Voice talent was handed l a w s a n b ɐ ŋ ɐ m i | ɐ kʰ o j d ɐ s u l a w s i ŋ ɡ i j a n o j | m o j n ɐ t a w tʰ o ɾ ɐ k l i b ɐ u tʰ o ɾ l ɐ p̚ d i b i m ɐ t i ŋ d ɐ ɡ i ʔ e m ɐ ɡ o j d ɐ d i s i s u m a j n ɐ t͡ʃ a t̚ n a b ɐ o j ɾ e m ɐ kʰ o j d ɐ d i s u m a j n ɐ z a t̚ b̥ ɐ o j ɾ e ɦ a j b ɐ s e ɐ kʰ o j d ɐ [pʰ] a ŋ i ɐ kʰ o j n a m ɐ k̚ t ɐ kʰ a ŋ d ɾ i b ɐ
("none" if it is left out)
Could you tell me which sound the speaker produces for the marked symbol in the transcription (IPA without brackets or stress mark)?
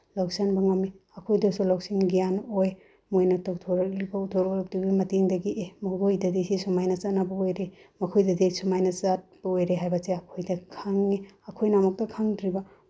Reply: kʰ